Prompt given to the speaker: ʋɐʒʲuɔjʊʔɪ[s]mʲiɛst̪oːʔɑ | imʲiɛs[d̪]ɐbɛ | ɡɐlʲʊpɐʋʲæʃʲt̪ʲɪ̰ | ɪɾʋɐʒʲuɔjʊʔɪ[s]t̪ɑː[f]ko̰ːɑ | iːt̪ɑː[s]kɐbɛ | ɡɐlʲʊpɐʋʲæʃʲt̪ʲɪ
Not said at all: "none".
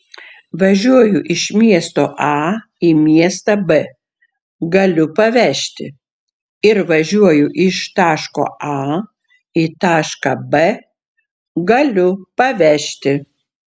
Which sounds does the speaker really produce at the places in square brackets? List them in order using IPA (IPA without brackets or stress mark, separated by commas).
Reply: ʃ, t̪, ʃ, ʃ, ʃ